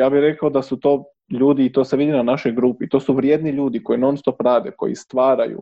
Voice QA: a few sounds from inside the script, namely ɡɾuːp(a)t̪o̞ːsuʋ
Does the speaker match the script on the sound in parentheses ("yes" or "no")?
no